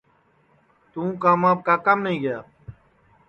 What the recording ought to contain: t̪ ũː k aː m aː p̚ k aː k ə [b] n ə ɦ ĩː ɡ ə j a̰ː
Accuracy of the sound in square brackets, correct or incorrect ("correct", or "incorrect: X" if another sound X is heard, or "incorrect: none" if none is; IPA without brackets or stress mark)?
incorrect: m